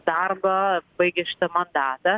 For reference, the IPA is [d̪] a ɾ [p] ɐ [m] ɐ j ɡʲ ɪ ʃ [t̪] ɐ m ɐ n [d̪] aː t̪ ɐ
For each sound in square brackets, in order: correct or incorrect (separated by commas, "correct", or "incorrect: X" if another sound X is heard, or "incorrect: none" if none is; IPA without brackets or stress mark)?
correct, incorrect: b, incorrect: b, correct, correct